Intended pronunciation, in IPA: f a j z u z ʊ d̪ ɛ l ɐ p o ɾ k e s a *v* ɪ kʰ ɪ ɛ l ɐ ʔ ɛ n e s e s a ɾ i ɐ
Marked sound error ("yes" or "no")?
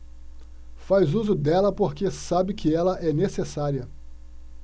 yes